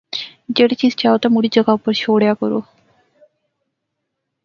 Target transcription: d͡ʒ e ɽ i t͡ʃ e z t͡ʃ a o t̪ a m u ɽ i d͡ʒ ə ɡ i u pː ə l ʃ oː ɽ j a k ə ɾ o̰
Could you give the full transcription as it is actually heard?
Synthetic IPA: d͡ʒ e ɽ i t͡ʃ i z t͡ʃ a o t̪ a m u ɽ i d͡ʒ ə ɡ a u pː ə ɾ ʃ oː ɽ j a k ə ɾ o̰